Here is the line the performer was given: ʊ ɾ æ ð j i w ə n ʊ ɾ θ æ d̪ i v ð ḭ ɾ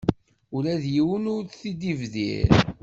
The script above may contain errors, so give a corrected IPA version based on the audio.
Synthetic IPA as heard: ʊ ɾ æ ð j i w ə n ʊ ɾ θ i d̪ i v ð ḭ ɾ

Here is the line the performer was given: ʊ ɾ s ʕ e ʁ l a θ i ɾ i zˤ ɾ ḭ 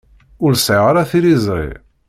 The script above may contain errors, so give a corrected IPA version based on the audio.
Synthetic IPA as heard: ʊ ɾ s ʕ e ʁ ɾ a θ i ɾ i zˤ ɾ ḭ

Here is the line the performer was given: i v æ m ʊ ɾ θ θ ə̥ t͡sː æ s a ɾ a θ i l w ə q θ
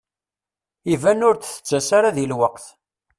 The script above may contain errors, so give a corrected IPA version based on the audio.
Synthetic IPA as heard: i v æ n ʊ ɾ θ θ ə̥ t͡sː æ s a ɾ a ð i l w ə q θ

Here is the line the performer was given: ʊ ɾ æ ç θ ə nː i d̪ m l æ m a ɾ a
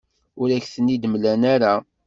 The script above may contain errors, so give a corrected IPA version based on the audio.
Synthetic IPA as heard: ʊ ɾ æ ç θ ə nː i d̪ m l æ n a ɾ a

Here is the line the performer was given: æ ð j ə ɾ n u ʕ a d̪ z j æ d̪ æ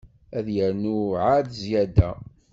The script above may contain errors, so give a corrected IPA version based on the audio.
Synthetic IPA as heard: æ ð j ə ɾ n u ʕ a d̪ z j æ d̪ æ

